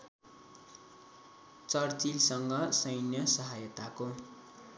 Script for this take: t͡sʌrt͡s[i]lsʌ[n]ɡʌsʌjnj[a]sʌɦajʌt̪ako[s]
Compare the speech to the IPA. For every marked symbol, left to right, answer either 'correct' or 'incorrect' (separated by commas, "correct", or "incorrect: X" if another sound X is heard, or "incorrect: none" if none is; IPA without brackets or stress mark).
correct, incorrect: ŋ, incorrect: ʌ, incorrect: none